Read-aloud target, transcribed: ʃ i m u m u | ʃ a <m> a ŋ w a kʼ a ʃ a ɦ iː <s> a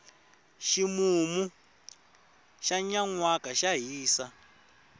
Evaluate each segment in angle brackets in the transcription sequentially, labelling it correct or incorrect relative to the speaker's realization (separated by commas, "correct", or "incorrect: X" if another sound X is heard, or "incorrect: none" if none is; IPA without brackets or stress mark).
incorrect: ɲ, correct